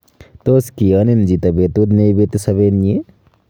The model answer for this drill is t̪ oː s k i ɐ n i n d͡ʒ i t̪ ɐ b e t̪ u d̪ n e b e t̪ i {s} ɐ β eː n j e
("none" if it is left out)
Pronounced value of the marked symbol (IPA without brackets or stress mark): s